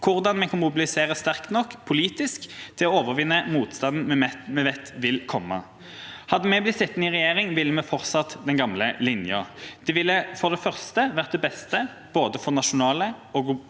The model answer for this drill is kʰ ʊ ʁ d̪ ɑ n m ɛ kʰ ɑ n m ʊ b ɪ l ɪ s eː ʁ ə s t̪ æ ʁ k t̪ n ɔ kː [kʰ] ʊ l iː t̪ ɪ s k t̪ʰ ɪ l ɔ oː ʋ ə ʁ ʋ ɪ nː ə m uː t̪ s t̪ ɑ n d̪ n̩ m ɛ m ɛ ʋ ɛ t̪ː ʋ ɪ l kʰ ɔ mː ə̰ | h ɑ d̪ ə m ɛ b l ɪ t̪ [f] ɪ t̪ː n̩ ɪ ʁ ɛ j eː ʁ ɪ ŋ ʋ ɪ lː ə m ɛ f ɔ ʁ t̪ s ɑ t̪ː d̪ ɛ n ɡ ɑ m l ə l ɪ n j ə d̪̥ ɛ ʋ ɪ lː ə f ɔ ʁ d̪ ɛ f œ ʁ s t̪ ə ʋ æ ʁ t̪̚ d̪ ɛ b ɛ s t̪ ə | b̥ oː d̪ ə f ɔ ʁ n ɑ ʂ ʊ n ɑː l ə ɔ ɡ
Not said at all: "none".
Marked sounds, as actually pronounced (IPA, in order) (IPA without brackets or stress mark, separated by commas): pʰ, s